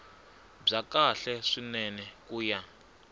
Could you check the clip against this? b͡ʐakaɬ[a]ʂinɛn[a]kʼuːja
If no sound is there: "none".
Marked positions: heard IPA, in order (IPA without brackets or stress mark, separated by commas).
ɛ, ɛ